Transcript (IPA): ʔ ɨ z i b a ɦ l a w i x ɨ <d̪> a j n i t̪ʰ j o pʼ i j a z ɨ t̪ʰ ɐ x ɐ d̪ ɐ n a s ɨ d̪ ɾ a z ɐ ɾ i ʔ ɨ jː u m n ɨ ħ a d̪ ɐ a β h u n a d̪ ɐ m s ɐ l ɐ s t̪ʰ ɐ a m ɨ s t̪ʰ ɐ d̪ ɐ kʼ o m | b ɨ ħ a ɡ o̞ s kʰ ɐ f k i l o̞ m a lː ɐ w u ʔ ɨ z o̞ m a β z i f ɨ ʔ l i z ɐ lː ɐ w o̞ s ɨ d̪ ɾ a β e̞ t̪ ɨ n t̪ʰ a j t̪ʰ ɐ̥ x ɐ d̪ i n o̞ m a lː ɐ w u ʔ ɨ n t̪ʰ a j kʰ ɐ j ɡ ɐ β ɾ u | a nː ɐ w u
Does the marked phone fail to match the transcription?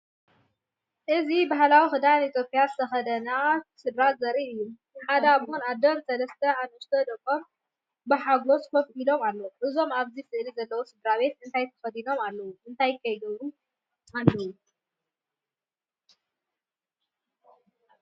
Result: no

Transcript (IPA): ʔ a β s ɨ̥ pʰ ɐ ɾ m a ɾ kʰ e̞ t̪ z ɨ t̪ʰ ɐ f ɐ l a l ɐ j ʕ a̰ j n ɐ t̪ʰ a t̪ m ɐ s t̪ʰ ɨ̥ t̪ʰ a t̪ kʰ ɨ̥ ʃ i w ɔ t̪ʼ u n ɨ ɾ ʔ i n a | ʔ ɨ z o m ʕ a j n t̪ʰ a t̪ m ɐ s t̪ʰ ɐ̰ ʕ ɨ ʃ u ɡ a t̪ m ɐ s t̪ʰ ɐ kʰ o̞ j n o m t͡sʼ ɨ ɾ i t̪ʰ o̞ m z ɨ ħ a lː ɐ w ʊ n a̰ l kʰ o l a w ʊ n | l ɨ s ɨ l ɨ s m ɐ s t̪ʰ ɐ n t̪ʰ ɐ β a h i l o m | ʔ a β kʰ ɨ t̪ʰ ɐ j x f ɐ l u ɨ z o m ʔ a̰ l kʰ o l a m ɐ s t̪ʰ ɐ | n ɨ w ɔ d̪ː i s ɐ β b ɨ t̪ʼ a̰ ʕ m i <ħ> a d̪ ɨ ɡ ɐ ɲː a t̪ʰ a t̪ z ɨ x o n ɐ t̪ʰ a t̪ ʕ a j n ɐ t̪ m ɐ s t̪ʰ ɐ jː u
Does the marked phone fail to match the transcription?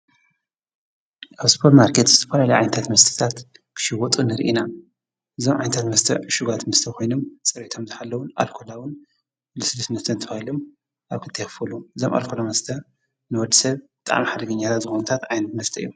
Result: no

